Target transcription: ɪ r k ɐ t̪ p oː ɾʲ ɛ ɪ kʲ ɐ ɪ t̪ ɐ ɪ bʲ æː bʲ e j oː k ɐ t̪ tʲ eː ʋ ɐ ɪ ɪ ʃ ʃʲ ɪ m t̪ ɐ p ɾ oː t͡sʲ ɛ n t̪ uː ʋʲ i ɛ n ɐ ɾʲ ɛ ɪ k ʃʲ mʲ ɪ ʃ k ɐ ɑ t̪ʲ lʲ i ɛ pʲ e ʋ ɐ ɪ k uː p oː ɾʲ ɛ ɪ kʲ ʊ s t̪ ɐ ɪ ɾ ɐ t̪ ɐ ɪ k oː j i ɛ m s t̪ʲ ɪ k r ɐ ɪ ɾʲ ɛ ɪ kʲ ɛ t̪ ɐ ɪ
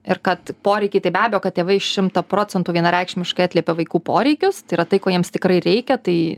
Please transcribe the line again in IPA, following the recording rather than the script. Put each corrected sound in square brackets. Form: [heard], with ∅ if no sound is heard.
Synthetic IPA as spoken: ɪ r k ɐ t̪ p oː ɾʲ ɛ ɪ kʲ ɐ ɪ t̪ ɐ ɪ bʲ æː bʲ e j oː k ɐ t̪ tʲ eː ʋ ɐ ɪ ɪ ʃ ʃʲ ɪ m t̪ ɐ p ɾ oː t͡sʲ ɛ n t̪ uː ʋʲ i ɛ n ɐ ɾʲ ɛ ɪ k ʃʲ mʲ ɪ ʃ k ɐ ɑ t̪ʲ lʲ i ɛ pʲ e ʋ ɐ ɪ k uː p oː ɾʲ ɛ ɪ kʲ ʊ s t̪ ɐ ɪ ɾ ɐ t̪ ɐ ɪ k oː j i ɛ m s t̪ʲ ɪ k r ɐ ɪ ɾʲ ɛ ɪ kʲ ɛ t̪ ɐ ɪ